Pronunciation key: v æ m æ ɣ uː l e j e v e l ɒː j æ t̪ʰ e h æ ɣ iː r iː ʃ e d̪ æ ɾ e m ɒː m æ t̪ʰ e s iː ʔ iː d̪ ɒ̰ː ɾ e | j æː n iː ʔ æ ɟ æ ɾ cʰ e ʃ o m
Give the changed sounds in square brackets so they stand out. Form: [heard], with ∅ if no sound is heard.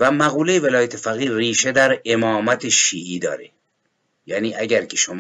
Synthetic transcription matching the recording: v æ m æ ɣ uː l e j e v e l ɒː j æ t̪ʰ e [f] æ ɣ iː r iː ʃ e d̪ æ ɾ e m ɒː m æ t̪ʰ e [ʃ] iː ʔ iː d̪ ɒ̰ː ɾ e | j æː n iː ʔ æ ɟ æ ɾ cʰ e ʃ o m